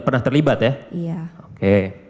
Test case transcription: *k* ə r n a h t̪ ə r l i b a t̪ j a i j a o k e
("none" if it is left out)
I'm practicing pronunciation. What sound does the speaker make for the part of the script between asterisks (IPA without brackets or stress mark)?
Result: p